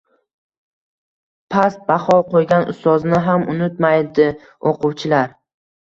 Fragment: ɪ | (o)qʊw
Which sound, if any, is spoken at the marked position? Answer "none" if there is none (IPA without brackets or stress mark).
o